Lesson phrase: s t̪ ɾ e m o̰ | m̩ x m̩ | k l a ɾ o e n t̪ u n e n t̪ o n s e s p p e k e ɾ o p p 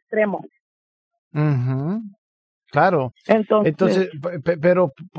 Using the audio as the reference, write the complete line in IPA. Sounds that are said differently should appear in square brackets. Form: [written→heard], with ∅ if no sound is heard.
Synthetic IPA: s t̪ ɾ e m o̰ | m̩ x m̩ | k l a ɾ o e n t̪ [u→o] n e n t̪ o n s e s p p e [k→p] e ɾ o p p